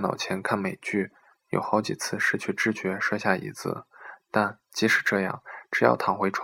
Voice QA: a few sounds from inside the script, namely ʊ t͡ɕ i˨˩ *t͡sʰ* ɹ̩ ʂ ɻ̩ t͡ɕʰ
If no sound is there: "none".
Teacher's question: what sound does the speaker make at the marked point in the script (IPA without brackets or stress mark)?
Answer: t͡sʰ